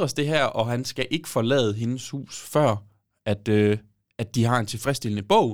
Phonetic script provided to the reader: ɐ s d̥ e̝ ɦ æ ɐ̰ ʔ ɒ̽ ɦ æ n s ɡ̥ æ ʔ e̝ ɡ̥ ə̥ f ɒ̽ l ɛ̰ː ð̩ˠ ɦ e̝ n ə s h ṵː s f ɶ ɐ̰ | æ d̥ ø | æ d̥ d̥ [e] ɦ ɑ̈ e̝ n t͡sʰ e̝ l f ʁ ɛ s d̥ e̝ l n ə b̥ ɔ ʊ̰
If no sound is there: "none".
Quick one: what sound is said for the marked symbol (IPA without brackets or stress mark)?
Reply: i